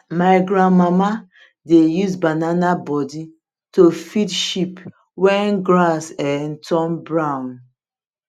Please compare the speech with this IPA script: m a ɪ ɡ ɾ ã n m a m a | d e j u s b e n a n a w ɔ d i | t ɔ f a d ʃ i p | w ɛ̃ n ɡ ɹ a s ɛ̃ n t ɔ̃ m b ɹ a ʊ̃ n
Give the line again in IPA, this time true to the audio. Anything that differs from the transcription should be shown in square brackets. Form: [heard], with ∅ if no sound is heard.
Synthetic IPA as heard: m a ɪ ɡ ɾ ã n m a m a | d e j u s b [a] n a n a [b] ɔ d i | t [o] f [i] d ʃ i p | w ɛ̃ n ɡ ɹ a s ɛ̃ n t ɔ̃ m b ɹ a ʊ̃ n